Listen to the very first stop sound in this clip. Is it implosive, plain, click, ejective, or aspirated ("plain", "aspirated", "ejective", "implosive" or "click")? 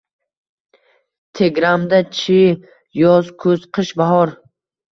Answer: aspirated